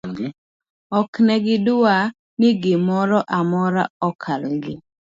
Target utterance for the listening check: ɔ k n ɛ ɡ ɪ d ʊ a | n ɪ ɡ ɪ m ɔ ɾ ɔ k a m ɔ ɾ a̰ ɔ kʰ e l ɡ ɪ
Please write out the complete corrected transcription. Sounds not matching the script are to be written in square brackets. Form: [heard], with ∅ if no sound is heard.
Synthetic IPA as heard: ɔ k n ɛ ɡ ɪ d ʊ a | n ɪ ɡ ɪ m ɔ ɾ ɔ [ʔ] a m ɔ ɾ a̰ ɔ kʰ [a] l ɡ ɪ